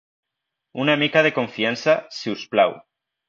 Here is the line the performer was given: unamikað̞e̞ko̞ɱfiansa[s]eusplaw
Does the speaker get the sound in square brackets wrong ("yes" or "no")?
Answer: no